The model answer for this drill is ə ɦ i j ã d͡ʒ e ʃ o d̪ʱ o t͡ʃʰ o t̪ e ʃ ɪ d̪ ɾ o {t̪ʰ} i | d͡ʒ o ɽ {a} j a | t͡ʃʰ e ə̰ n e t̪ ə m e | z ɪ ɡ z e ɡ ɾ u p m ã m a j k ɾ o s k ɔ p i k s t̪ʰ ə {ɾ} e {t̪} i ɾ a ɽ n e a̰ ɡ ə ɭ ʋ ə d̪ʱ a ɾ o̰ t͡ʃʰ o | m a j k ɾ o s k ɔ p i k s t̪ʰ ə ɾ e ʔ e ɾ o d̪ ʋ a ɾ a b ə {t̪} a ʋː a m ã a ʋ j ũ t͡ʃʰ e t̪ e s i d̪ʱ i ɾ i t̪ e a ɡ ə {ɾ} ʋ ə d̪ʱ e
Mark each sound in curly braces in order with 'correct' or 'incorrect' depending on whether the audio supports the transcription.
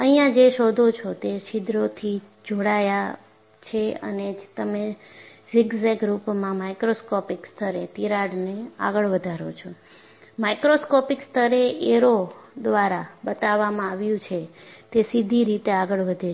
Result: correct, correct, correct, correct, correct, incorrect

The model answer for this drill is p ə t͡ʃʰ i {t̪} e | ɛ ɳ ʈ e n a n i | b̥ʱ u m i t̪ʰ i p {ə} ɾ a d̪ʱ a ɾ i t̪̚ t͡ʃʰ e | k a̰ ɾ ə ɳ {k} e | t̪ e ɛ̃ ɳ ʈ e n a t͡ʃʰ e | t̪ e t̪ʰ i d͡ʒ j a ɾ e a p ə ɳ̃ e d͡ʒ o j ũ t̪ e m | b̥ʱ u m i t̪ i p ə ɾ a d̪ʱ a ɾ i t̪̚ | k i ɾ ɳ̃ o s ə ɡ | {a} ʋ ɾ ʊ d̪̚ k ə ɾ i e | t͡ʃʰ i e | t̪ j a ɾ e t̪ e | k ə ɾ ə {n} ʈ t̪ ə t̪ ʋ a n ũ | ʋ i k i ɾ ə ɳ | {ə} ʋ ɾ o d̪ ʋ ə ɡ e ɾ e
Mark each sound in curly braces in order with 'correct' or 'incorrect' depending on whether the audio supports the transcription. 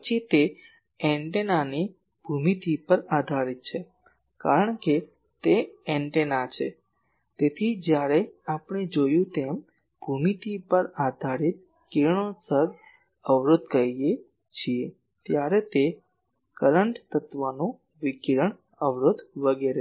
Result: correct, correct, correct, incorrect, incorrect, correct

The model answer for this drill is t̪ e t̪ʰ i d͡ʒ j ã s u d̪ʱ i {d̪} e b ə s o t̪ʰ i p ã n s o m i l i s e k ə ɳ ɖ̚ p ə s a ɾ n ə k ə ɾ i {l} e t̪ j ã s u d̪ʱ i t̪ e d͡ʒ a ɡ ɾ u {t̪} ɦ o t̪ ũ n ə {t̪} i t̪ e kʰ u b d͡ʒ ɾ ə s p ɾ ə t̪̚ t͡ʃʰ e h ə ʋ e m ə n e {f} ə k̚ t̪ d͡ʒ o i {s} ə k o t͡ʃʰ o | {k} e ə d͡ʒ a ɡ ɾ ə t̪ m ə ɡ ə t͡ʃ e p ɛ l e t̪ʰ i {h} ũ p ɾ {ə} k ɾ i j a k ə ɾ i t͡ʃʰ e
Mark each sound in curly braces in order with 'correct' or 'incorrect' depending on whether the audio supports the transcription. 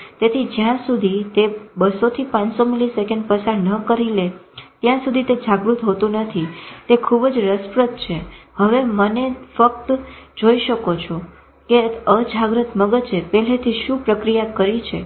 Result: incorrect, correct, correct, incorrect, correct, incorrect, correct, incorrect, correct

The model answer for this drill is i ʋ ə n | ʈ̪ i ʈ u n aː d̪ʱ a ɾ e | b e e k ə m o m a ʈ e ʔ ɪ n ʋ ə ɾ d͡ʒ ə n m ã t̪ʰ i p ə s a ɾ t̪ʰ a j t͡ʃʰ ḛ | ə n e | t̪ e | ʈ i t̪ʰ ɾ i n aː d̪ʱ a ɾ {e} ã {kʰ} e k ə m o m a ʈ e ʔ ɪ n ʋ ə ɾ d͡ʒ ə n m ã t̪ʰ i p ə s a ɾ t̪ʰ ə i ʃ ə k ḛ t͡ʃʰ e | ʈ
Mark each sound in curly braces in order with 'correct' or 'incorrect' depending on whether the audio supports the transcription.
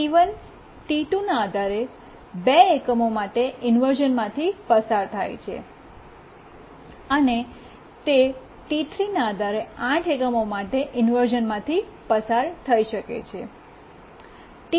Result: correct, incorrect

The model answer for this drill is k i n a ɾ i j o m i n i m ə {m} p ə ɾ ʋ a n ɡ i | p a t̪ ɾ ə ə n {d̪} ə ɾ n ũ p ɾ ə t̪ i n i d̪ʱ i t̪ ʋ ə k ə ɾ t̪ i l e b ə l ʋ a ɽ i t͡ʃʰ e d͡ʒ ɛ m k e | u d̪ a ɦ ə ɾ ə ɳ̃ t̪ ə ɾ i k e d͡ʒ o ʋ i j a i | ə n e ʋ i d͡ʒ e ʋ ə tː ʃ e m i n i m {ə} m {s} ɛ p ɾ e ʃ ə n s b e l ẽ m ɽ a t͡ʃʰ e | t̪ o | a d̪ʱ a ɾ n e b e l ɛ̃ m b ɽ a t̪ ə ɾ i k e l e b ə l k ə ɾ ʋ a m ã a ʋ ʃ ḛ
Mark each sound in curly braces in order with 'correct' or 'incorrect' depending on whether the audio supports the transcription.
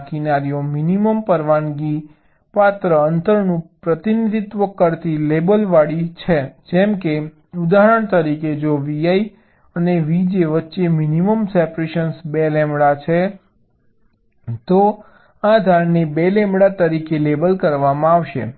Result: correct, incorrect, correct, correct

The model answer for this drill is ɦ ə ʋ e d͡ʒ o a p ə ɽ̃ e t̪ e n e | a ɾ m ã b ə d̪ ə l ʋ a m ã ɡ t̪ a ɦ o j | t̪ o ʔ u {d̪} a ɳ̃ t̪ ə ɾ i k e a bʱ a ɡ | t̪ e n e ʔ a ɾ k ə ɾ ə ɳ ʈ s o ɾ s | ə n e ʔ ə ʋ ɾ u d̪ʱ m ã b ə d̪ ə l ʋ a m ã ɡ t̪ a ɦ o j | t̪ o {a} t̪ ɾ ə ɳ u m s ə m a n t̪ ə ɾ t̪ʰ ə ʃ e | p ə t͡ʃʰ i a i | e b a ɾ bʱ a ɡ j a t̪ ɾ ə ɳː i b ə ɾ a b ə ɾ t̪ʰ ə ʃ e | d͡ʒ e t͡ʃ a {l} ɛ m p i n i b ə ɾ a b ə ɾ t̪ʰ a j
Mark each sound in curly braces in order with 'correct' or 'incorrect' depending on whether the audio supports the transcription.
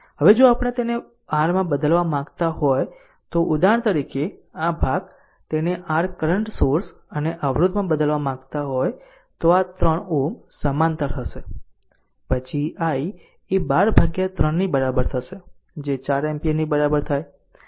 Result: correct, correct, incorrect

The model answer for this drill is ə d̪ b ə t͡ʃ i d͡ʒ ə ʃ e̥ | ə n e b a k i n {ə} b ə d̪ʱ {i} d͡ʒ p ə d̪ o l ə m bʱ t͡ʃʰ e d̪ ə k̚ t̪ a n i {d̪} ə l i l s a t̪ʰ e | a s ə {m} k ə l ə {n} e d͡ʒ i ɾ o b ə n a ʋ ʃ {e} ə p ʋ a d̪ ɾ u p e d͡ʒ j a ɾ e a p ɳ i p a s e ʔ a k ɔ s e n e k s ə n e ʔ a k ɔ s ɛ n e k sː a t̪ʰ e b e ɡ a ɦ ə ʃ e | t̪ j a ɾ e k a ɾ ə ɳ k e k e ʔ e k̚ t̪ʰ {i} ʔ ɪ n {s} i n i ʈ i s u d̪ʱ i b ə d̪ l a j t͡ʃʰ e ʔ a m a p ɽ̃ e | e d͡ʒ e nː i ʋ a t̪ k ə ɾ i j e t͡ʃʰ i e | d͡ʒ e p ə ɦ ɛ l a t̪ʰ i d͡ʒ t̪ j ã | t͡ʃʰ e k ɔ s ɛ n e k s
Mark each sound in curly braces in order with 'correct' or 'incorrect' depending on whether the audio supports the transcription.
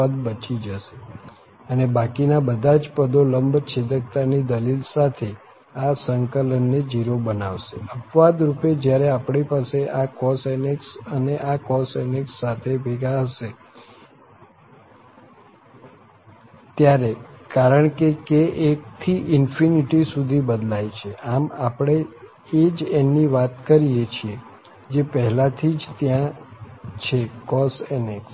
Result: incorrect, incorrect, correct, incorrect, incorrect, correct, correct, incorrect

